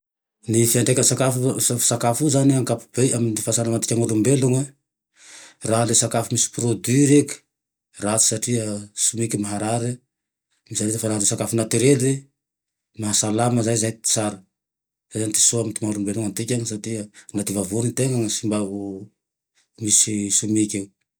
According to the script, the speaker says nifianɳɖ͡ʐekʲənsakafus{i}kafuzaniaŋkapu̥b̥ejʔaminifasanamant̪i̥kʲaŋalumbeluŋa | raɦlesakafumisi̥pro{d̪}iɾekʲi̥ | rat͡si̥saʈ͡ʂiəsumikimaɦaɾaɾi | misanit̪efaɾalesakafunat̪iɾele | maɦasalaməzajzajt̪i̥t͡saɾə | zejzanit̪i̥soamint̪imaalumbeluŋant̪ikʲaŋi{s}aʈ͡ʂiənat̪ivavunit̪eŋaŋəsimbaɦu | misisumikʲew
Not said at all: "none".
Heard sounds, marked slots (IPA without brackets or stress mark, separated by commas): a, d̪, s